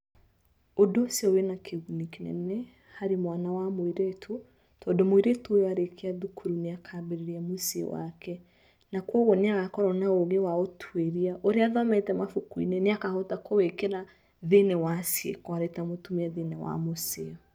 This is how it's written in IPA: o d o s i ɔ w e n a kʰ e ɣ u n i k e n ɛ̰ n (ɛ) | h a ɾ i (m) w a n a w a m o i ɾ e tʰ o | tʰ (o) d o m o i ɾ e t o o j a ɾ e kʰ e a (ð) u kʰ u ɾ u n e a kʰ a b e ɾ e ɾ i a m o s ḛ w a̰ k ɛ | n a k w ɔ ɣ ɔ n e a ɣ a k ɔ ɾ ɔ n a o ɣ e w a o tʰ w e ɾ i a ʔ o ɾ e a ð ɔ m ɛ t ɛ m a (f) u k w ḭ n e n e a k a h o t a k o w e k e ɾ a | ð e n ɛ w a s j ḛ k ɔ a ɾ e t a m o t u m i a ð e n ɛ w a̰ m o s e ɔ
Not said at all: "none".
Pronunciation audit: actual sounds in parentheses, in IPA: ɛ, m, ɔ, ð, f

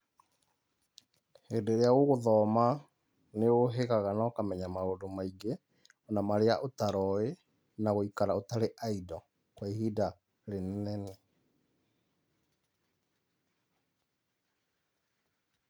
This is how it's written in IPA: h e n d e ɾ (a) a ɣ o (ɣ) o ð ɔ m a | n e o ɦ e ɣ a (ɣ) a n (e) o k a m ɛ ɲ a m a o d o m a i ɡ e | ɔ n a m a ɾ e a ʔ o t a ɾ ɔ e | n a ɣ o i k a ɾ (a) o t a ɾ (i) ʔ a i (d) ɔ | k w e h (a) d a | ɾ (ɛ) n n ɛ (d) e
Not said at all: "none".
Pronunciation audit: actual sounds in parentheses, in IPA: e, ɣ, ɣ, a, a, e, d, i, e, n

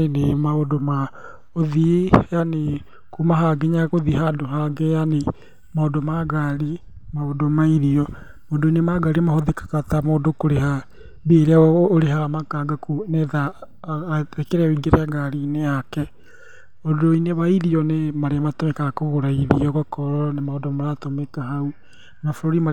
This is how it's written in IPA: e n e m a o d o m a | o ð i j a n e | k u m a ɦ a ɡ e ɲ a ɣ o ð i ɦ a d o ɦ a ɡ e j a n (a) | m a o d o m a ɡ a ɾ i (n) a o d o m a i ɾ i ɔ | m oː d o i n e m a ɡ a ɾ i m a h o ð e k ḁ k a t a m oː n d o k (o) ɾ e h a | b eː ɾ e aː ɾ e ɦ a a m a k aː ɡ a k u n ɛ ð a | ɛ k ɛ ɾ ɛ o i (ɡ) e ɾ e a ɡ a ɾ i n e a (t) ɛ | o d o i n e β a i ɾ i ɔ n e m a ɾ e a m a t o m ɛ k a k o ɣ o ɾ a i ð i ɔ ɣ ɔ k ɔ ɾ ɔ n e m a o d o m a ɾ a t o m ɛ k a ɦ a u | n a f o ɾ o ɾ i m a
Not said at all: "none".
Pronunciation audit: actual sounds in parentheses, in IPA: e, m, o, ɡ, k

